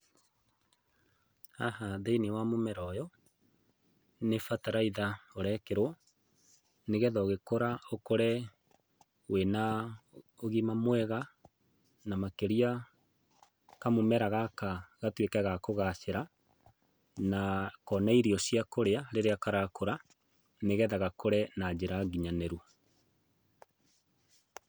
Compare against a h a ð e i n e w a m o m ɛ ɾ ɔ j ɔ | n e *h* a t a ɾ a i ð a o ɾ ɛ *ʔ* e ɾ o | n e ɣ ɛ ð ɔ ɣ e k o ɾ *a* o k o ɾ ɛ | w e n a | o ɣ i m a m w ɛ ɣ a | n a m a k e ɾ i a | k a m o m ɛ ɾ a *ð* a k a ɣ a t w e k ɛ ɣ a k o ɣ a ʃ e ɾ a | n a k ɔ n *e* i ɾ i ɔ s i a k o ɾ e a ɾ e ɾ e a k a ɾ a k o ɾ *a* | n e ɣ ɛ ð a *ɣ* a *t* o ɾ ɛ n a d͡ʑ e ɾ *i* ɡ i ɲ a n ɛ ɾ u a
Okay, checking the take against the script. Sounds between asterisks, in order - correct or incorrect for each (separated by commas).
incorrect, incorrect, correct, incorrect, incorrect, correct, correct, incorrect, incorrect